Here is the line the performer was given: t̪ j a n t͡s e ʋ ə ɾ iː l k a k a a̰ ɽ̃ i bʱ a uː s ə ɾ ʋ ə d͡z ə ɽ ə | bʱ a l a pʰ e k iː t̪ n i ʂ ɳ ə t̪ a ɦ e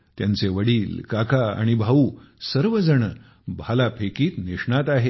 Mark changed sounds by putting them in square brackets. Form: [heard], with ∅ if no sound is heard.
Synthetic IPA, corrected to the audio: t̪ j a n t͡s e ʋ ə [ɽ] iː l k a k a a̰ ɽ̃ i bʱ a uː s ə ɾ ʋ ə d͡z ə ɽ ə | bʱ a l a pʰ e k iː t̪ n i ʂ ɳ [a] t̪ a ɦ e